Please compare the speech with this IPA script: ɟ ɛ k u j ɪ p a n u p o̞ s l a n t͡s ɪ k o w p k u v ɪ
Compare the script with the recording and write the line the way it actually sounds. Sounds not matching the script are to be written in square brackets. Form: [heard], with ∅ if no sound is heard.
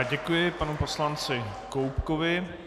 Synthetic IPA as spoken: ɟ ɛ k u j ɪ p a n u p o̞ s l a n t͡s ɪ k o w p k [o] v ɪ

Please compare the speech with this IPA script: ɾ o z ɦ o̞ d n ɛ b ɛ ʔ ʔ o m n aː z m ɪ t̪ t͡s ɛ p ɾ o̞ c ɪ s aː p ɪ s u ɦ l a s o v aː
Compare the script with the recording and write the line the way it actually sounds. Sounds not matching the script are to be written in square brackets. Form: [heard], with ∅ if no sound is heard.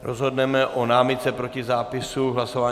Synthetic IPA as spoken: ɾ o z ɦ o̞ d n ɛ [m] ɛ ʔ ʔ o [∅] n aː [∅] m ɪ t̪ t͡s ɛ p ɾ o̞ c ɪ [z] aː p ɪ s u ɦ l a s o v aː

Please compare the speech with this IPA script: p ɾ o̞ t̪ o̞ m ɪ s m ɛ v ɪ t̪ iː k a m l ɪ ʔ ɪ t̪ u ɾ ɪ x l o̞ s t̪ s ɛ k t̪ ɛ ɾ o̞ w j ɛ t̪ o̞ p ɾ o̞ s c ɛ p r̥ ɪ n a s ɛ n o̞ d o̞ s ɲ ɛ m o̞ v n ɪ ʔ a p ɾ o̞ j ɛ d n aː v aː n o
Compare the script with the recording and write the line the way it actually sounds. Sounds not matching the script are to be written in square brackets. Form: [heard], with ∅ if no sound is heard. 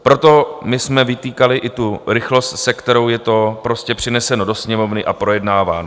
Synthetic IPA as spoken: p ɾ o̞ t̪ o̞ m ɪ s m ɛ v ɪ t̪ iː k a [∅] l ɪ ʔ ɪ t̪ u ɾ ɪ x l o̞ s t̪ s ɛ k t̪ ɛ ɾ o̞ w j ɛ t̪ o̞ p ɾ o̞ s c ɛ p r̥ ɪ n [ɛ] s ɛ n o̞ d o̞ s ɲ ɛ m o̞ v n ɪ ʔ a p ɾ o̞ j ɛ d n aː v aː n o

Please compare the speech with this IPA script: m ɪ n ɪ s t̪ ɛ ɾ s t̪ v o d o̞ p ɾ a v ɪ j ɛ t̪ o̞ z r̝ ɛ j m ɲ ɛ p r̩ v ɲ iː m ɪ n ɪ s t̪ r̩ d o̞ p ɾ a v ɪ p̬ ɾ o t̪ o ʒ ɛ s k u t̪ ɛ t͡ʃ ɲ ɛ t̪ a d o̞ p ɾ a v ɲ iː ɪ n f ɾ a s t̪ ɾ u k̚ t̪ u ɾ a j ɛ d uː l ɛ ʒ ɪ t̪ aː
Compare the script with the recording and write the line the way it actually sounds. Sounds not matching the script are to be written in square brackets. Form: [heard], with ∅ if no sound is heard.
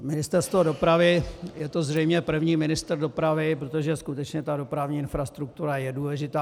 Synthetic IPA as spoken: m ɪ n ɪ s t̪ ɛ ɾ s t̪ v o d o̞ p ɾ a v ɪ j ɛ t̪ o̞ z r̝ ɛ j m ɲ ɛ p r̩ v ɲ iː m ɪ n ɪ s t̪ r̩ d o̞ p ɾ a v ɪ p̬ ɾ o t̪ o ʒ ɛ s k u t̪ ɛ t͡ʃ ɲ ɛ t̪ a d o̞ p ɾ a v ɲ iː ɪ n f ɾ a s t̪ ɾ u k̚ t̪ u ɾ a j ɛ d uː l ɛ ʒ ɪ t̪ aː

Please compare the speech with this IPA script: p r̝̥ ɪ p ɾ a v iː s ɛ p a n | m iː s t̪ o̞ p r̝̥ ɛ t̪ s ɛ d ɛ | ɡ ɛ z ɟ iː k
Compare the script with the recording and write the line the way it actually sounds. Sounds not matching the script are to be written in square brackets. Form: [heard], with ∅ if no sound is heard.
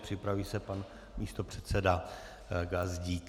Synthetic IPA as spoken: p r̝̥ ɪ p ɾ a v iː s ɛ p a n | m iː s t̪ o̞ p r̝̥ ɛ t̪ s ɛ d [a] | ɡ [a] z ɟ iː k

